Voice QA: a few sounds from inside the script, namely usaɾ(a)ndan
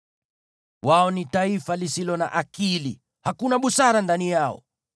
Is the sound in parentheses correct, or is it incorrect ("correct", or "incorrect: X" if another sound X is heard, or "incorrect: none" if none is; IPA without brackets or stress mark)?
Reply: correct